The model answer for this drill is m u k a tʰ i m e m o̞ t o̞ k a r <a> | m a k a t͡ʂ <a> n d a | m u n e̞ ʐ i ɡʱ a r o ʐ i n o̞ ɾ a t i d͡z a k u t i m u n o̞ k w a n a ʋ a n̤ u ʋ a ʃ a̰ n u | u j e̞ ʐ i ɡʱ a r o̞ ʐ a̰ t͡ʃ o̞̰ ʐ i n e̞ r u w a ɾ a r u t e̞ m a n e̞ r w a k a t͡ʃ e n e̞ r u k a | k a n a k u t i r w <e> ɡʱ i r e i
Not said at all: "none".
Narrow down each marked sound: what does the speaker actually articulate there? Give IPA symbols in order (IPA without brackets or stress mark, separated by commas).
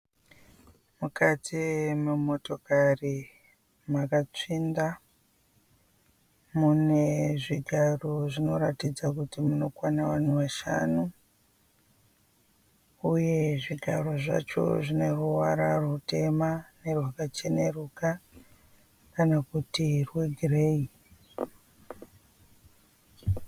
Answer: i, i, e